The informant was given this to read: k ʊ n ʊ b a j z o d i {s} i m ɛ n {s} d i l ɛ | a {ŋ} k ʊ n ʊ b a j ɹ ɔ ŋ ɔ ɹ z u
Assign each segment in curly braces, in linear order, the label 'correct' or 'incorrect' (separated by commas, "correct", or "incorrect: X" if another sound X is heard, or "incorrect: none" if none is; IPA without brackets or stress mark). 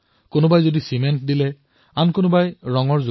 correct, incorrect: t, incorrect: n